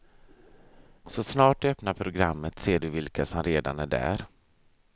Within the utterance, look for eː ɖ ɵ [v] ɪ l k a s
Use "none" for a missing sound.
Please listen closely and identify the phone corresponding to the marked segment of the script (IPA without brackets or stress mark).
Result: v